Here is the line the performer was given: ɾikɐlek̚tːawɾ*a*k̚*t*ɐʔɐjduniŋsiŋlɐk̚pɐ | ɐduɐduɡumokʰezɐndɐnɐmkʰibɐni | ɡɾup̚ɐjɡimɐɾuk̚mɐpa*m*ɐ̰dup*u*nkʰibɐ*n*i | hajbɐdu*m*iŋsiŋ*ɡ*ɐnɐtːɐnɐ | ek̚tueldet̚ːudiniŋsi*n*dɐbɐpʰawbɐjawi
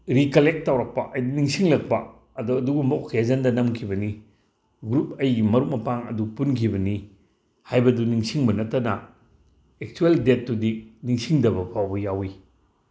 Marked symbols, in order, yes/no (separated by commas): no, no, no, yes, yes, no, no, no